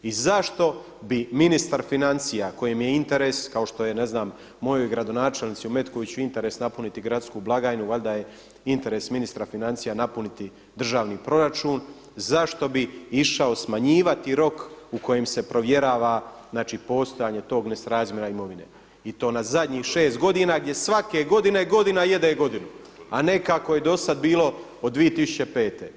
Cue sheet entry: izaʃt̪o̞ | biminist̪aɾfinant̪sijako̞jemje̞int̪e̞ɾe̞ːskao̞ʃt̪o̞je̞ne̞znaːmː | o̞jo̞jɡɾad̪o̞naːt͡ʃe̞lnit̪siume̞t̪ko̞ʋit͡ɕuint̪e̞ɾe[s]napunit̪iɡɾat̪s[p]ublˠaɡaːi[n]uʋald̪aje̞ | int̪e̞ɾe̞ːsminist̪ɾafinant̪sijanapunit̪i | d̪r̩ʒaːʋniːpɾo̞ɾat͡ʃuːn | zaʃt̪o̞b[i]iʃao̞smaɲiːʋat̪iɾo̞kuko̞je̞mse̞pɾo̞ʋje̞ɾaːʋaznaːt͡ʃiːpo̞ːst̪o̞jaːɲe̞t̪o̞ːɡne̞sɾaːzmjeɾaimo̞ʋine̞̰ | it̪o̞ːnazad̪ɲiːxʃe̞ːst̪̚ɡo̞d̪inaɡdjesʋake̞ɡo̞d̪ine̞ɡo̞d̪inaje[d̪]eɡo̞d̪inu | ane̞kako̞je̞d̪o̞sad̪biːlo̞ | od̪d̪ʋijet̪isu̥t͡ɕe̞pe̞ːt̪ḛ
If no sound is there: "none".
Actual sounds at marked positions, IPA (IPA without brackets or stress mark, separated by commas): s, k, n, i, d̪